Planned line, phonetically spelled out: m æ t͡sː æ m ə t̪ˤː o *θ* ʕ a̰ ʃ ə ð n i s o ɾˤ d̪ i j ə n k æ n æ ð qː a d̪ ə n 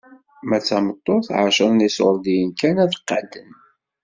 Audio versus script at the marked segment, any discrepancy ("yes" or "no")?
no